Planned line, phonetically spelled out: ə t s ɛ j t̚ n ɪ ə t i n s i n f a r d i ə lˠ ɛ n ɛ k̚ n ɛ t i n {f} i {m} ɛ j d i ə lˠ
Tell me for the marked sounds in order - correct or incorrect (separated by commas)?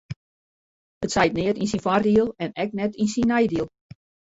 incorrect, incorrect